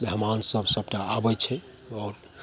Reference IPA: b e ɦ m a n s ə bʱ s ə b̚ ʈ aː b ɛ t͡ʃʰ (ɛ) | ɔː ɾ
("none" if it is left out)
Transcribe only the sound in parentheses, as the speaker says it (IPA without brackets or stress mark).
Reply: ɛ